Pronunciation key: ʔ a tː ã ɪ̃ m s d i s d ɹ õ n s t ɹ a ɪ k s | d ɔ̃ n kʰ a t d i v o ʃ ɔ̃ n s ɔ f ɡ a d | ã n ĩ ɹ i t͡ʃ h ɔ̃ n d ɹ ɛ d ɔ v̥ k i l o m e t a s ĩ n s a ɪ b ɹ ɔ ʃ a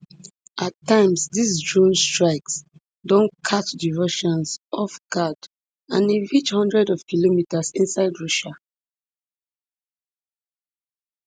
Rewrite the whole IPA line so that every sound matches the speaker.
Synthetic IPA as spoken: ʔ a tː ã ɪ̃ m s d i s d ɹ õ n s t ɹ a ɪ k s | d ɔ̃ n kʰ a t d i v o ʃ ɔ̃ n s ɔ f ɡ a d | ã n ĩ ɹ i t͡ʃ h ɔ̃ n d ɹ ɛ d ɔ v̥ k i l o m i t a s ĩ n s a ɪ d ɹ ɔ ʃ a